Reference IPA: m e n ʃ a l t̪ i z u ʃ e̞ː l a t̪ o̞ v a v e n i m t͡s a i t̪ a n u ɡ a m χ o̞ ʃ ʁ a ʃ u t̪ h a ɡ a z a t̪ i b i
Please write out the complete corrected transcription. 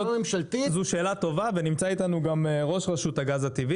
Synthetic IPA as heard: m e m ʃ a l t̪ i z u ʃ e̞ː l a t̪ o̞ v a v e n i m t͡s a i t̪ a n u ɡ a m ʁ o̞ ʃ ʁ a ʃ u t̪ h a ɡ a z a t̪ i v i